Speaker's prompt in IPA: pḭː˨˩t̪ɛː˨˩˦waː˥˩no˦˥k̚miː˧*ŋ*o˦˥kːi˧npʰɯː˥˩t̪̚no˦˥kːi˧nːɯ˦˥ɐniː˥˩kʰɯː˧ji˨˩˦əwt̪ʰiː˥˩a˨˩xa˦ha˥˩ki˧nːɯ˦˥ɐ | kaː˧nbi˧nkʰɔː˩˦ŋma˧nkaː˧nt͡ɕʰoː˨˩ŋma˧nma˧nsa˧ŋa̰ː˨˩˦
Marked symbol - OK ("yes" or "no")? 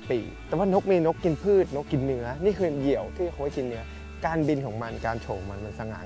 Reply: no